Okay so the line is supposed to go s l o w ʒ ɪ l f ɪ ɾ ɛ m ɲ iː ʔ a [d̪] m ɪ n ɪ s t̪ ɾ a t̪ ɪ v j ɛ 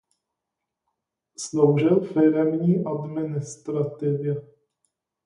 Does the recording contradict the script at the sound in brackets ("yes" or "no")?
no